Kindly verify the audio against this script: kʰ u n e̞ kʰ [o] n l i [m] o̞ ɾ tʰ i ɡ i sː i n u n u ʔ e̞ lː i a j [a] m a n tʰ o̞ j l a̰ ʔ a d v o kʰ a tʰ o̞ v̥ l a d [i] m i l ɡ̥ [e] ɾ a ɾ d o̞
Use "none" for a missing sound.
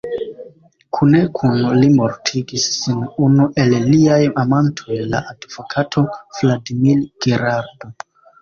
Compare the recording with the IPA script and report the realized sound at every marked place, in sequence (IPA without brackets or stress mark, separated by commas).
u, m, a, i, e